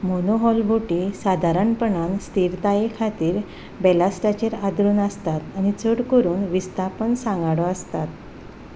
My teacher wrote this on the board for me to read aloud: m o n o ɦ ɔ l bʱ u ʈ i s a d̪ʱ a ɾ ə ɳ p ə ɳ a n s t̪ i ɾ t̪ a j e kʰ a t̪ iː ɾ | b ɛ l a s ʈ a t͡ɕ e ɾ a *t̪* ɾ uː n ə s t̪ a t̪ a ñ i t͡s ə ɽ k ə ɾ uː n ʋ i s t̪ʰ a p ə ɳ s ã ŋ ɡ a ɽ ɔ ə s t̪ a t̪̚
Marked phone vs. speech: incorrect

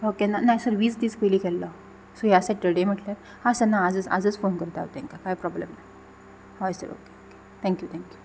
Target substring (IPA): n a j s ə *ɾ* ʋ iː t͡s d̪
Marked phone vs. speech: correct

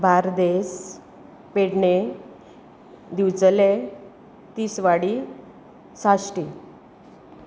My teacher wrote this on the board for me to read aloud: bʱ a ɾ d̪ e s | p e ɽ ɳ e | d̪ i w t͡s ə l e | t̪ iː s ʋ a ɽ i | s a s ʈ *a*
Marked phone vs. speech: incorrect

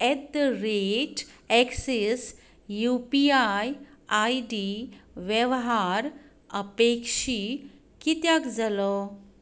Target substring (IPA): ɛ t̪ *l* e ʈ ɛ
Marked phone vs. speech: incorrect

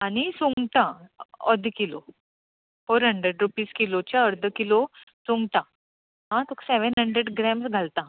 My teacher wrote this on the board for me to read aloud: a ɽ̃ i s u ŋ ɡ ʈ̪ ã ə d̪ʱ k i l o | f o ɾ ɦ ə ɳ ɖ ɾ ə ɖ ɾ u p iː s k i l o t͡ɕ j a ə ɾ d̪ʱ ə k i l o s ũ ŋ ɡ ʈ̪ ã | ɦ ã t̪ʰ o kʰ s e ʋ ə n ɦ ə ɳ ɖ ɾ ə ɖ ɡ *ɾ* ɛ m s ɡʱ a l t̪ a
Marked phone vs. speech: correct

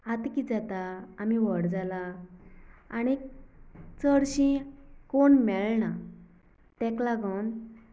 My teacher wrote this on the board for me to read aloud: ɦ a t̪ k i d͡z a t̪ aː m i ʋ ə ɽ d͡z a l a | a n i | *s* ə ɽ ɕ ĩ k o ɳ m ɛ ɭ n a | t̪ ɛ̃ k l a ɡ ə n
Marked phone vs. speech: incorrect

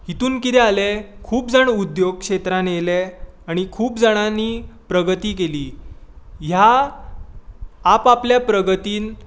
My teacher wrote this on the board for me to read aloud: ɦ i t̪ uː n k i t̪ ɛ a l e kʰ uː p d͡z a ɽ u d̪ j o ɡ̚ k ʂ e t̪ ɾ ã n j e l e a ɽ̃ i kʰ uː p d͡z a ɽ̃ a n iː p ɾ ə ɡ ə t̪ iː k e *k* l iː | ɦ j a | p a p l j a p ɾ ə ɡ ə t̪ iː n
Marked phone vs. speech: incorrect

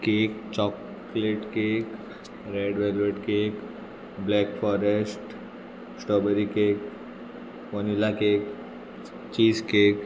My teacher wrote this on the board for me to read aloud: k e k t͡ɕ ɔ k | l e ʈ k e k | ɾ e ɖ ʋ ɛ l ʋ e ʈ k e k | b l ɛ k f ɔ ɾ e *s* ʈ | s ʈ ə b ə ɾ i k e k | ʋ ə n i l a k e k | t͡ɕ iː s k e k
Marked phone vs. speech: correct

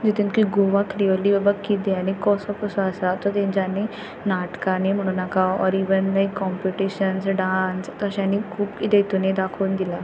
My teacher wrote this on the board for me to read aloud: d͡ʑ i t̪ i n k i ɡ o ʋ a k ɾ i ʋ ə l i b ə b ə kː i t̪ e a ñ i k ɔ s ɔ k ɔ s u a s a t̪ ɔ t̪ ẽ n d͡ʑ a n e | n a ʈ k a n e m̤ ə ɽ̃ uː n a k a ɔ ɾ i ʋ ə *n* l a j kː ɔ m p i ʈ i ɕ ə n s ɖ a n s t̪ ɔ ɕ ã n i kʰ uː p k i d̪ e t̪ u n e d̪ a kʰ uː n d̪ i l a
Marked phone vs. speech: correct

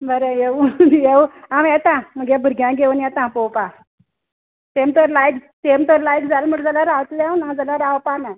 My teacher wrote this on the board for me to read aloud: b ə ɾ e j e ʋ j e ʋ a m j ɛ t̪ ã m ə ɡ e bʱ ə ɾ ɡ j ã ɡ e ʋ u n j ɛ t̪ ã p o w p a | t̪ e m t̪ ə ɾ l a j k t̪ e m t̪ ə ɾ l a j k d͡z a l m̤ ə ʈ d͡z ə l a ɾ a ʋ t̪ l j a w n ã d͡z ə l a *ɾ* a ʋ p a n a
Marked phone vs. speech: correct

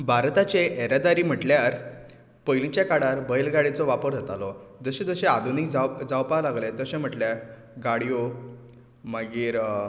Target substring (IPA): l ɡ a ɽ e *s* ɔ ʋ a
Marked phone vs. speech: incorrect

